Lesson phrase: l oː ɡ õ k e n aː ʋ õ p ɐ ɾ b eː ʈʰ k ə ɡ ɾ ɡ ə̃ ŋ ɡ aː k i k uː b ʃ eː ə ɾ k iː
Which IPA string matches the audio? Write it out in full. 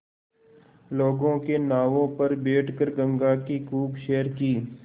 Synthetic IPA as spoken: l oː ɡ õ k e n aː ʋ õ p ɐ ɾ b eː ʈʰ k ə ɾ ɡ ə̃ ŋ ɡ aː k i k uː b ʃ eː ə ɾ k iː